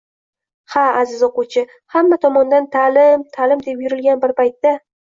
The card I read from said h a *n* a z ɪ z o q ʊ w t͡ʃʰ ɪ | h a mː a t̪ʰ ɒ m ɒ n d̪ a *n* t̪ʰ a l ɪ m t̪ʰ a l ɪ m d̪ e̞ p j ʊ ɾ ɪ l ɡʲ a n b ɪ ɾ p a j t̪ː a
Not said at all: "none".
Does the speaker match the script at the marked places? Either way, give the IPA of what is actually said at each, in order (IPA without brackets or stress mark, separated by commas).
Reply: none, n